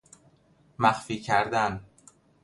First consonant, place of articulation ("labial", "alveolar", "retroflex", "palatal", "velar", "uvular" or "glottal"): labial